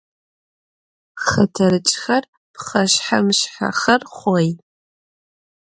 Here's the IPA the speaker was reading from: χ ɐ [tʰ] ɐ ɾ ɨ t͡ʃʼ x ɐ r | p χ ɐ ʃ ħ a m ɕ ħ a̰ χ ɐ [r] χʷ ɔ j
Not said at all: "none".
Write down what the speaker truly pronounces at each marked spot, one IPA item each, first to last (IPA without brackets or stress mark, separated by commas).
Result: tʰ, r